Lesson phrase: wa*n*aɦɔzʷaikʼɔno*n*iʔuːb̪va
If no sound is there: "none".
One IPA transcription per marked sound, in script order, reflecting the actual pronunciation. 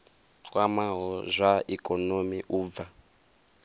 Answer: m, m

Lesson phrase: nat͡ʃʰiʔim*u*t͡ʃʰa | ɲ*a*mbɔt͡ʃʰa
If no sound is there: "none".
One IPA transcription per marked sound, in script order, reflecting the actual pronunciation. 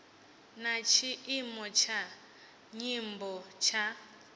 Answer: ɔ, i

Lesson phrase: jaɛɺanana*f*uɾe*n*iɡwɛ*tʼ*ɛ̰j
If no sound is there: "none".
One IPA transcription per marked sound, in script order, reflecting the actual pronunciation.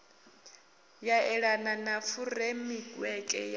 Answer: f, m, kʼ

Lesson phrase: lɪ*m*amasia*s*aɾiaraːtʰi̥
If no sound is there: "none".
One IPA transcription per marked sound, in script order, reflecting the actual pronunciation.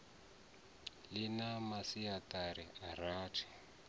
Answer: n, t

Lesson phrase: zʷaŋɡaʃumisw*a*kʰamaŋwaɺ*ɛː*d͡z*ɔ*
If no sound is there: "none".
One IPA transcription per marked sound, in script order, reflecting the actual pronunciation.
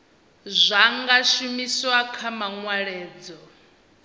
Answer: a, ɛː, ɔ

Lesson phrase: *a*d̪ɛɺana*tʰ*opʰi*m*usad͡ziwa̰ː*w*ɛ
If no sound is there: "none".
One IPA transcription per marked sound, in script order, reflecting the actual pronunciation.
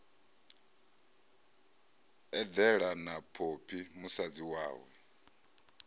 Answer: ɛ, pʰ, m, w

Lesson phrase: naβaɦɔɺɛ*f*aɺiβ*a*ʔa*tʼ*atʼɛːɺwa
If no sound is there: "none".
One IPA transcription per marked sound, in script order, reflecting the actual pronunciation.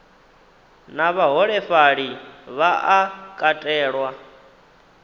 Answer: f, a, kʼ

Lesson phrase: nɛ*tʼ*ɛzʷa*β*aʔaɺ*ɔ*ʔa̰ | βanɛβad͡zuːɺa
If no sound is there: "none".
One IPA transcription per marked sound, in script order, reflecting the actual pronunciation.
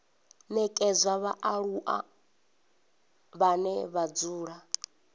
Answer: kʼ, β, u

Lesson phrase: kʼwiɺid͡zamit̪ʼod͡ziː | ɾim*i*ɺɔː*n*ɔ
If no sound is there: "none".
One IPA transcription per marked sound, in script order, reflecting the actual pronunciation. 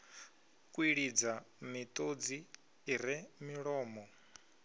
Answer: i, m

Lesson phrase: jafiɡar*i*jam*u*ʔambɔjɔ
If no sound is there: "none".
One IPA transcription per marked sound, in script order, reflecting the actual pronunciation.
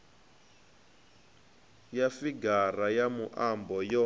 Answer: a, u

